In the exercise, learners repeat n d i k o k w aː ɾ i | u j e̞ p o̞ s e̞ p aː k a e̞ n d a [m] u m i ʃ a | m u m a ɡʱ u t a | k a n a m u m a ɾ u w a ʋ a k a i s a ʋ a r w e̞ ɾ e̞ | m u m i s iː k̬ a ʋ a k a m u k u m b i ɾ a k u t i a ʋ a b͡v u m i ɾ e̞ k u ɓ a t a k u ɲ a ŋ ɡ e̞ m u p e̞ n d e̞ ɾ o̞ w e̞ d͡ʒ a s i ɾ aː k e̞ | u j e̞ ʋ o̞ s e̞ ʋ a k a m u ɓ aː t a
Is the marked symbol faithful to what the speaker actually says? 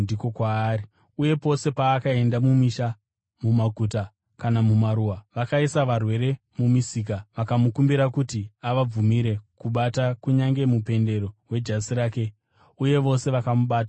yes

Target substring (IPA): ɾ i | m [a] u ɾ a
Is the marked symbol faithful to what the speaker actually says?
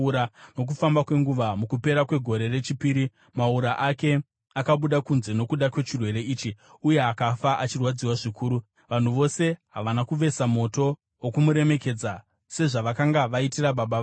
yes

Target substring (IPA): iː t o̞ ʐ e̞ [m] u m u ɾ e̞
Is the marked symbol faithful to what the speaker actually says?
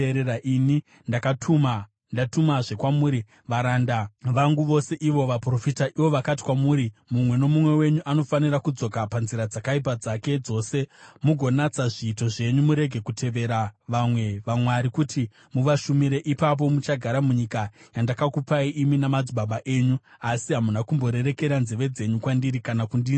no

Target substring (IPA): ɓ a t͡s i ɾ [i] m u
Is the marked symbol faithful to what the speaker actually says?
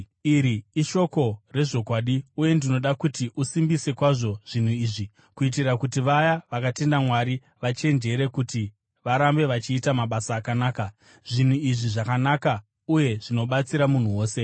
no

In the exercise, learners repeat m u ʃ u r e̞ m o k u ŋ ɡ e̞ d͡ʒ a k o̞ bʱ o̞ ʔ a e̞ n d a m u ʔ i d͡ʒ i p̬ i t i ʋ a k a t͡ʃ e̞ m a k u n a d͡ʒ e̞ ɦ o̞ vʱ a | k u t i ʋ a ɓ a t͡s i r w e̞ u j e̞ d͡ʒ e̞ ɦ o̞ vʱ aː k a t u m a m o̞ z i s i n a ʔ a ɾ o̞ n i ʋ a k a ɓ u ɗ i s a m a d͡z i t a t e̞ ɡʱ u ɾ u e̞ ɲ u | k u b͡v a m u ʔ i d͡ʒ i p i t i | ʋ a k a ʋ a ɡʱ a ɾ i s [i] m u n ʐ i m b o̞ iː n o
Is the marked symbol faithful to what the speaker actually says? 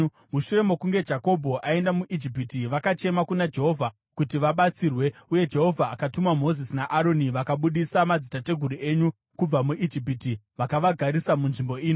no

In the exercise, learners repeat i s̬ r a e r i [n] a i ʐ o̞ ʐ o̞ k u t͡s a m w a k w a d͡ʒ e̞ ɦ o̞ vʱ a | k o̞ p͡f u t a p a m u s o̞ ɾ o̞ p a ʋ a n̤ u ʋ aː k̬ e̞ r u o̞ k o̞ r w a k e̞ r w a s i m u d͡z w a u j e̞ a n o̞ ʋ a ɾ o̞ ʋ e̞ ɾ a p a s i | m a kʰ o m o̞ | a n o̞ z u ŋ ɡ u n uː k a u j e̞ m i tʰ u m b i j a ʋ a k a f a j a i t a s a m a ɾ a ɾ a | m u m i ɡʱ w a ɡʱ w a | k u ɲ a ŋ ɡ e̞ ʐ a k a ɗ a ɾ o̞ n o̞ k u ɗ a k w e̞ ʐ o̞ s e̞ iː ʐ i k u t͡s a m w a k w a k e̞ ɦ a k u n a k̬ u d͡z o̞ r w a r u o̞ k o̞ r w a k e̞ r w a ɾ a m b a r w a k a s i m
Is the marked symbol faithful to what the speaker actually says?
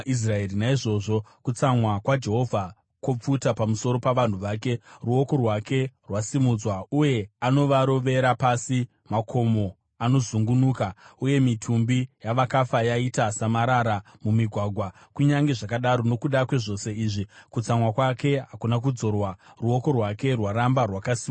yes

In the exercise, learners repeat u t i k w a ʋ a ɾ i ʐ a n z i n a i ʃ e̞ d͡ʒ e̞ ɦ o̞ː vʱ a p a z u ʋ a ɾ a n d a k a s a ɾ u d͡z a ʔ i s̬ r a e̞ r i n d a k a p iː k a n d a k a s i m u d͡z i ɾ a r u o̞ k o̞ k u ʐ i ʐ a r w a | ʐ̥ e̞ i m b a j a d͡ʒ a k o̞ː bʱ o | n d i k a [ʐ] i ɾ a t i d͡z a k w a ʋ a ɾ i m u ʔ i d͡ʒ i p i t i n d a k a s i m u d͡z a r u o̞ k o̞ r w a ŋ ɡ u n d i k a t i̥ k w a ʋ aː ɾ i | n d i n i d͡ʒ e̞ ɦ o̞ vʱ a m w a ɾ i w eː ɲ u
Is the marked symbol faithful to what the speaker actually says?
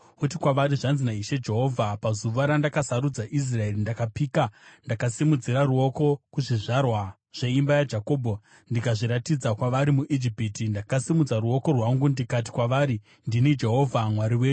yes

